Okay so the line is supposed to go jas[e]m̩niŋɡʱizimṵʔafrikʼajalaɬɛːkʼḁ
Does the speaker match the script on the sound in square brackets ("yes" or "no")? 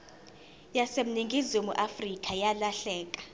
yes